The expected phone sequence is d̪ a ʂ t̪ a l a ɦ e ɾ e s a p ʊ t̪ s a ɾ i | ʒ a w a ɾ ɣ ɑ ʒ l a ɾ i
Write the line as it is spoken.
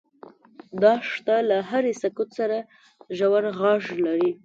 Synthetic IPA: d̪ ɑ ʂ t̪ a l a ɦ a ɾ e s a k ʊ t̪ s a ɾ a | ʒ a w a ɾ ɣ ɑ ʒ l a ɾ i